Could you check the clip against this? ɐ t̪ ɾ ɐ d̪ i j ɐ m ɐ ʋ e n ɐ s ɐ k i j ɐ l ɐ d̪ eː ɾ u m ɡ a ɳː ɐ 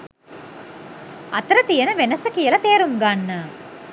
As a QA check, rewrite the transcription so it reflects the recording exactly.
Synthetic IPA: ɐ t̪ ɾ ɐ t̪ i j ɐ n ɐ ʋ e n ɐ s ɐ k i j ɐ l ɐ t̪ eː ɾ u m ɡ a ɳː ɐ